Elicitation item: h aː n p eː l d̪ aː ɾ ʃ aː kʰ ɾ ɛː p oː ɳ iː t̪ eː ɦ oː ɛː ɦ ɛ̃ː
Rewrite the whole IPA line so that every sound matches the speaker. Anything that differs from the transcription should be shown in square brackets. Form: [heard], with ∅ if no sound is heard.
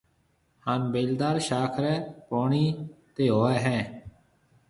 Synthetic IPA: h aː n [b] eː l d̪ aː ɾ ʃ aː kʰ ɾ ɛː p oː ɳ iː t̪ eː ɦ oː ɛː ɦ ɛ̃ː